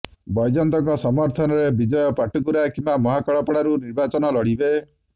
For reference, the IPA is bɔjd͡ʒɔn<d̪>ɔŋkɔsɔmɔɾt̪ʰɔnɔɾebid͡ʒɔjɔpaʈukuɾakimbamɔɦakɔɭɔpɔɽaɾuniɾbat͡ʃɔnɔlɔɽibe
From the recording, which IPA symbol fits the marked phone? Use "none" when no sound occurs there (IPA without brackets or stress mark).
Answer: t̪